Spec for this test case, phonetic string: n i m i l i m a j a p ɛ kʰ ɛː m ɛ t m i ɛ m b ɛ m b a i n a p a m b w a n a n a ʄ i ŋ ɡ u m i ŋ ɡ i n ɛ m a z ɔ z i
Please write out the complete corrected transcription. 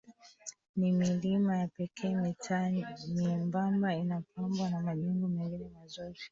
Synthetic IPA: n i m i l i m a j a p ɛ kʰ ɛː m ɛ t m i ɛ m b a m b a i n a p a m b w a n a m a ʄ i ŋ ɡ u m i ŋ ɡ i n ɛ m a z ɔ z i